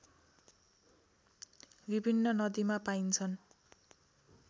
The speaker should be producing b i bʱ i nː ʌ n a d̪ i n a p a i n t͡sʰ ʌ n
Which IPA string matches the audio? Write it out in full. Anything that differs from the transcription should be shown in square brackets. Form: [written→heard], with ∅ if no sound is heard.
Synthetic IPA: b i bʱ i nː ʌ n [a→ʌ] d̪ i [n→m] a p a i n t͡sʰ ʌ n